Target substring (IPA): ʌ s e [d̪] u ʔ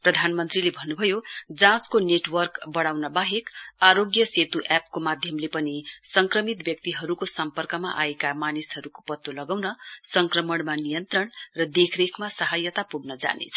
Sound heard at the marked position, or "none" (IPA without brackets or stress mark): t̪